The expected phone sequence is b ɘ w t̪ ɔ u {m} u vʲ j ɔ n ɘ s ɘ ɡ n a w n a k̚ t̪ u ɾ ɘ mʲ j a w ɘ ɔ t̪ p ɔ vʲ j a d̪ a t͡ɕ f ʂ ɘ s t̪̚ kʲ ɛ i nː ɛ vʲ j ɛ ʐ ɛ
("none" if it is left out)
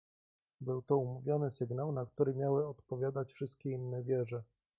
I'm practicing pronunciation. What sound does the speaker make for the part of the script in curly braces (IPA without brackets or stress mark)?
m